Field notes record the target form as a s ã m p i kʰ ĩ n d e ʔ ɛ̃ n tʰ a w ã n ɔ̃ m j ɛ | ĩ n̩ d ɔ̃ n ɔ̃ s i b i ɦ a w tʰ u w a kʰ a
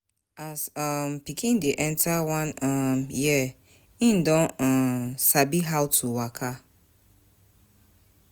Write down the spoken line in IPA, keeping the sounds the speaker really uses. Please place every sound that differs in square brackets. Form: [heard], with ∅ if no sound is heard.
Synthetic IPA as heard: a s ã m p i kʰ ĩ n d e ʔ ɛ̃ n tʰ a w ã n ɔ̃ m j ɛ | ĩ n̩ d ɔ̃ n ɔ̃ s [a] b i ɦ a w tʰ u w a kʰ a